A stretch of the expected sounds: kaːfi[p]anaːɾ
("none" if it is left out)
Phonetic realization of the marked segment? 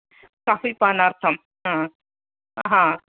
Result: p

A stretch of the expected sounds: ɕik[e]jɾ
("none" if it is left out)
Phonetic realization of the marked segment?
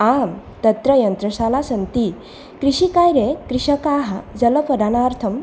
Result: a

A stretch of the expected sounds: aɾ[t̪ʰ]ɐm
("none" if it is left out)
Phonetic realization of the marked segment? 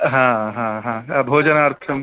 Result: t̪ʰ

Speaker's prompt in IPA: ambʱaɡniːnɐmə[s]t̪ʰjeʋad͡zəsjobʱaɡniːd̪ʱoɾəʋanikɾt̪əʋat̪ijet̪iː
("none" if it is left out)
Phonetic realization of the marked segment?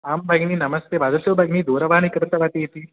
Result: s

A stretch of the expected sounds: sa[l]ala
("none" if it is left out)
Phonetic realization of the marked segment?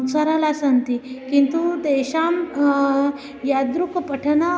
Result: ɾ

